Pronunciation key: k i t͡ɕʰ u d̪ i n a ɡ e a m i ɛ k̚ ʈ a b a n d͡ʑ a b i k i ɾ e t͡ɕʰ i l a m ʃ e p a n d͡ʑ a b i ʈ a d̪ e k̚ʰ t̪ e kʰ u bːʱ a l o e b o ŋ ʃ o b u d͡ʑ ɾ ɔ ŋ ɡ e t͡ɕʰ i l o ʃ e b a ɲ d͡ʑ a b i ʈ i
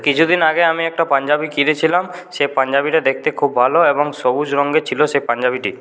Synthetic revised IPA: k i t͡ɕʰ u d̪ i n a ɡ e a m i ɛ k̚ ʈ a p a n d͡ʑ a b i k i ɾ e t͡ɕʰ i l a m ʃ e p a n d͡ʑ a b i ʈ a d̪ e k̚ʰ t̪ e kʰ u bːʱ a l o e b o ŋ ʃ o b u d͡ʑ ɾ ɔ ŋ ɡ e t͡ɕʰ i l o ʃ e p a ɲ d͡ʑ a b i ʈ i